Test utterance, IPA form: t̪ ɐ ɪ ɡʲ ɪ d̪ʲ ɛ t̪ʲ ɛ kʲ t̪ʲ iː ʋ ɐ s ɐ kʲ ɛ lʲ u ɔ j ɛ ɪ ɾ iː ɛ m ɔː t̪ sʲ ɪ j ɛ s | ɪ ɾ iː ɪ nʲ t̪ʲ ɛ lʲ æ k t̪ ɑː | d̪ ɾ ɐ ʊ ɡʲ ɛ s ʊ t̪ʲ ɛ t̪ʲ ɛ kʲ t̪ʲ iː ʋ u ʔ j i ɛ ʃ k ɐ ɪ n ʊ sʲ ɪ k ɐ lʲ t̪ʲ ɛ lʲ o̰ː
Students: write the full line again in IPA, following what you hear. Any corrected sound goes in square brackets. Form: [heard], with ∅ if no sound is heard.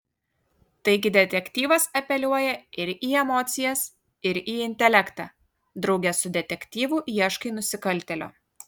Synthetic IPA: t̪ ɐ ɪ ɡʲ ɪ d̪ʲ ɛ t̪ʲ ɛ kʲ t̪ʲ iː ʋ ɐ s ɐ [pʲ] ɛ lʲ u ɔ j ɛ ɪ ɾ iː ɛ m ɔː t̪ sʲ ɪ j ɛ s | ɪ ɾ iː ɪ nʲ t̪ʲ ɛ lʲ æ k t̪ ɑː | d̪ ɾ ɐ ʊ ɡʲ ɛ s ʊ [d̪ʲ] ɛ t̪ʲ ɛ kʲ t̪ʲ iː ʋ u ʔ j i ɛ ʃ k ɐ ɪ n ʊ sʲ ɪ k ɐ lʲ t̪ʲ ɛ lʲ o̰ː

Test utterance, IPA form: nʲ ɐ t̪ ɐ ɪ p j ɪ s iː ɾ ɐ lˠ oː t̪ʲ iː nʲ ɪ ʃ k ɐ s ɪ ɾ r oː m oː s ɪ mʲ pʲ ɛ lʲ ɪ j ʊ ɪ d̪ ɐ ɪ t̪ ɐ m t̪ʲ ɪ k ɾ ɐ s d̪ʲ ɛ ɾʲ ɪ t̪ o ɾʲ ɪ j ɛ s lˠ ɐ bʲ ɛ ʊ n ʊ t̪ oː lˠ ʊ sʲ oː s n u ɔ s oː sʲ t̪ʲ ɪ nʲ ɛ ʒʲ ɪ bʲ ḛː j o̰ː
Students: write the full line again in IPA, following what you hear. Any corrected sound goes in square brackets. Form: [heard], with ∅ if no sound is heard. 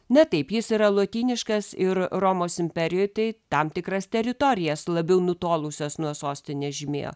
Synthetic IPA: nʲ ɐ t̪ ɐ ɪ p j ɪ s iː ɾ ɐ lˠ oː t̪ʲ iː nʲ ɪ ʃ k ɐ s ɪ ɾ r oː m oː s ɪ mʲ pʲ ɛ [ɾʲ] ɪ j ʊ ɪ [t̪] ɐ ɪ t̪ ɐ m t̪ʲ ɪ k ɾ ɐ s [t̪ʲ] ɛ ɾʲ ɪ t̪ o ɾʲ ɪ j ɛ s lˠ ɐ bʲ ɛ ʊ n ʊ t̪ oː lˠ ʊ sʲ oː s n u ɔ s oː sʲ t̪ʲ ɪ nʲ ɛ ʒʲ ɪ [mʲ] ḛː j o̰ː

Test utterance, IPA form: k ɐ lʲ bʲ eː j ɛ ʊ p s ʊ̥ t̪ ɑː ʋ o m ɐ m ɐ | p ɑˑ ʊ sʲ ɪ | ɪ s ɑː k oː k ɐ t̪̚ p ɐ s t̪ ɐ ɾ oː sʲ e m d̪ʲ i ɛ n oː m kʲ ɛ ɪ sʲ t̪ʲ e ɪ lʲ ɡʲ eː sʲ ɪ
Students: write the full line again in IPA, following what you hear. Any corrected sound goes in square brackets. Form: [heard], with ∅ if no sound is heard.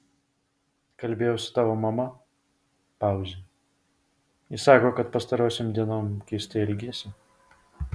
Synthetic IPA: k ɐ lʲ bʲ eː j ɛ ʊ [∅] s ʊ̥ t̪ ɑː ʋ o m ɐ m ɐ | p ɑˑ ʊ [zʲ] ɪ | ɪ s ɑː k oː k ɐ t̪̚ p ɐ s t̪ ɐ ɾ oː sʲ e m d̪ʲ i ɛ n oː m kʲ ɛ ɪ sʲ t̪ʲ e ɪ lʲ ɡʲ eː sʲ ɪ

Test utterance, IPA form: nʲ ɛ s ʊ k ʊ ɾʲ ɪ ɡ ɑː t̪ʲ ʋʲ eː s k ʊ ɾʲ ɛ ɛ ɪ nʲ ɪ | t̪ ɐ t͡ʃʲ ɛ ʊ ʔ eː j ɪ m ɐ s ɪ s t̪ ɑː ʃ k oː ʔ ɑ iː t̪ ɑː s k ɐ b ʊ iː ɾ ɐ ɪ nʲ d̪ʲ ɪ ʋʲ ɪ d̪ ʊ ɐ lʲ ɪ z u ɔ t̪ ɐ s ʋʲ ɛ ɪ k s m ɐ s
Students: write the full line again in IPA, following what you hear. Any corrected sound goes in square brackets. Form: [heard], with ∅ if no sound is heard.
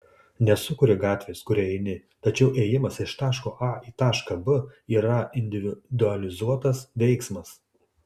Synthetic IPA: nʲ ɛ s ʊ k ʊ ɾʲ ɪ ɡ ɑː t̪ʲ ʋʲ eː s k ʊ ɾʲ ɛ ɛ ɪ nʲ ɪ | t̪ ɐ t͡ʃʲ ɛ ʊ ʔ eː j ɪ m ɐ s ɪ [ʃ] t̪ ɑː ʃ k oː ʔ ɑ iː t̪ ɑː [ʃ] k ɐ b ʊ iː ɾ ɐ ɪ nʲ d̪ʲ ɪ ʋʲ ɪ d̪ ʊ ɐ lʲ ɪ z u ɔ t̪ ɐ s ʋʲ ɛ ɪ k s m ɐ s

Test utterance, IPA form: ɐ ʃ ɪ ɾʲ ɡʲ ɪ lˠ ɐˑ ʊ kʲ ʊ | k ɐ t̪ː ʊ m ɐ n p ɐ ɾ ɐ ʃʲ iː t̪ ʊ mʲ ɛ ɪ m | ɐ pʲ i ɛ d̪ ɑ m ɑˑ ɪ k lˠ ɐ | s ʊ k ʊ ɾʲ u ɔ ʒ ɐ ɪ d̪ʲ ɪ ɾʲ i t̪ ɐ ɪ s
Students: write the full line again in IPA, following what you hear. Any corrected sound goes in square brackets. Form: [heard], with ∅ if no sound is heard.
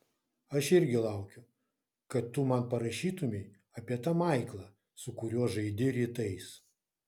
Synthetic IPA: ɐ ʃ ɪ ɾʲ ɡʲ ɪ lˠ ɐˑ ʊ kʲ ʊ | k ɐ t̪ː ʊ m ɐ n p ɐ ɾ ɐ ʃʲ iː t̪ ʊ mʲ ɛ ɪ [∅] | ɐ pʲ i ɛ [t̪] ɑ m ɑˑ ɪ k lˠ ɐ | s ʊ k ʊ ɾʲ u ɔ ʒ ɐ ɪ d̪ʲ ɪ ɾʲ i t̪ ɐ ɪ s

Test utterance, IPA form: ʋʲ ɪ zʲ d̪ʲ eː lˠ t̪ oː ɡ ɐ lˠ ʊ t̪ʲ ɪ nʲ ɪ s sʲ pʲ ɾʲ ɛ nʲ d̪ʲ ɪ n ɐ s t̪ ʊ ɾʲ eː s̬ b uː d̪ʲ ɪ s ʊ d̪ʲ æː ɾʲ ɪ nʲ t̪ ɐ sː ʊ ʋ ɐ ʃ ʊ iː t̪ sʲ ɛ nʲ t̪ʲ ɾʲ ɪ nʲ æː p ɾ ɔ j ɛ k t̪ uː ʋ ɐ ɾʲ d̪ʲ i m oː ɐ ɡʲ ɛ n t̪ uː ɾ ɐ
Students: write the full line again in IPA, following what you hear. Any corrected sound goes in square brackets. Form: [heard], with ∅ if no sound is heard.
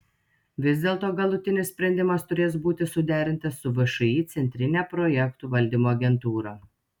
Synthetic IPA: ʋʲ ɪ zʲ d̪ʲ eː lˠ t̪ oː ɡ ɐ lˠ ʊ t̪ʲ ɪ nʲ ɪ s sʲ pʲ ɾʲ ɛ nʲ d̪ʲ ɪ [m] ɐ s t̪ ʊ ɾʲ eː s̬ b uː [t̪ʲ] ɪ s ʊ d̪ʲ æː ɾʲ ɪ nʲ t̪ ɐ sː ʊ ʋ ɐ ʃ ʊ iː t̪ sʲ ɛ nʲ t̪ʲ ɾʲ ɪ nʲ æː p ɾ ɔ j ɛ k t̪ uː ʋ ɐ [lʲ] d̪ʲ i m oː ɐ ɡʲ ɛ n t̪ uː ɾ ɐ

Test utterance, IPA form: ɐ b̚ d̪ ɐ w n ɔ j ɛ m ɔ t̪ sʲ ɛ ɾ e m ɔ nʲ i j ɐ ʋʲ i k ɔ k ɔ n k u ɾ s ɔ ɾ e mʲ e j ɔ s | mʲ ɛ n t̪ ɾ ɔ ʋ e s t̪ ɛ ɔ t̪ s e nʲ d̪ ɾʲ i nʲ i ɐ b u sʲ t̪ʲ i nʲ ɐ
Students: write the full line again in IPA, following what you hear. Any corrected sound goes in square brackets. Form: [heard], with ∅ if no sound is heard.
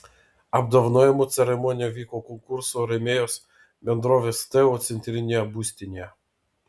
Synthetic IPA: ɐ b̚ d̪ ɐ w n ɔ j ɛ m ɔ t̪ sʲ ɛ ɾ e m ɔ nʲ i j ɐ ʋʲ i k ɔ k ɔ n k u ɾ s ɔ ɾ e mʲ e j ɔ s | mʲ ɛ n [d̪] ɾ ɔ ʋ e s t̪ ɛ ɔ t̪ s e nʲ [t̪] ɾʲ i nʲ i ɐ b u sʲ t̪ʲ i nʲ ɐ

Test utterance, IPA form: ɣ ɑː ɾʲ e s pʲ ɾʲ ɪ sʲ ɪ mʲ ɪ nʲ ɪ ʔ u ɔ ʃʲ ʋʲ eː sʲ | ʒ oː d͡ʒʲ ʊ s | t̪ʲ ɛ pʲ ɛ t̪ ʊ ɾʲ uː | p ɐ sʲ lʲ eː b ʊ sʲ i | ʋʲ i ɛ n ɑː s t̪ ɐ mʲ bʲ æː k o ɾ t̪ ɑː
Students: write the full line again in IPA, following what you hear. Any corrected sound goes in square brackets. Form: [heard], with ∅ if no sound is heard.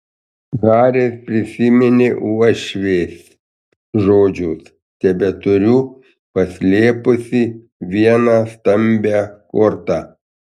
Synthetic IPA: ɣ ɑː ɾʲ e s pʲ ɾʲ ɪ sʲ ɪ mʲ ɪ nʲ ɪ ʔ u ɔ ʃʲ ʋʲ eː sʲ | ʒ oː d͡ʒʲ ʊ s | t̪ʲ ɛ [bʲ] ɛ t̪ ʊ ɾʲ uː | p ɐ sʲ lʲ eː [p] ʊ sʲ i | ʋʲ i ɛ n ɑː s t̪ ɐ mʲ bʲ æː k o ɾ t̪ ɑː

